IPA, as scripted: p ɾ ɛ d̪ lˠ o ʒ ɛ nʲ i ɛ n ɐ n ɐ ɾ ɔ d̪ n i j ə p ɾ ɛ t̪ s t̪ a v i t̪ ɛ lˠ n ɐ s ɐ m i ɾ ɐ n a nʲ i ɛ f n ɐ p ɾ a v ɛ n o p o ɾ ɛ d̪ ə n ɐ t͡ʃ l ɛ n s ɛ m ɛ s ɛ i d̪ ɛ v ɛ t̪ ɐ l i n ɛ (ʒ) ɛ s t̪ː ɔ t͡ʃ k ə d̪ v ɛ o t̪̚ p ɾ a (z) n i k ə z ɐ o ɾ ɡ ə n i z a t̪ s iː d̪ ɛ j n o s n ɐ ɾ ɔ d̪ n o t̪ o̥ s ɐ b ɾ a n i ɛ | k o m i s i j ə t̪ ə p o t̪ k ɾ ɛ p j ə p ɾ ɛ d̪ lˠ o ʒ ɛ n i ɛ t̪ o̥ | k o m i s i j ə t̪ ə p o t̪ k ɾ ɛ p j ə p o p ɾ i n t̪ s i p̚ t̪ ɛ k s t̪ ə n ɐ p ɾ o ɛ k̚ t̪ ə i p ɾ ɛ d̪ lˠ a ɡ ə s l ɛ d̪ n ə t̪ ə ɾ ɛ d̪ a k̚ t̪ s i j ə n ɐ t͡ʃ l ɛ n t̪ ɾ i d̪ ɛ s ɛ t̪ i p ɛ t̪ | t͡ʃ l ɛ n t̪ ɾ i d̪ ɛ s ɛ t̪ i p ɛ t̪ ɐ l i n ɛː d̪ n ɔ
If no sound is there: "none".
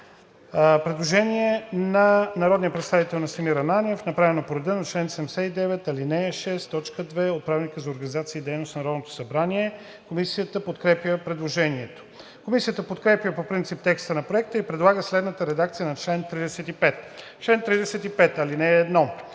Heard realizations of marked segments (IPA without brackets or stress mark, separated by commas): ʃ, v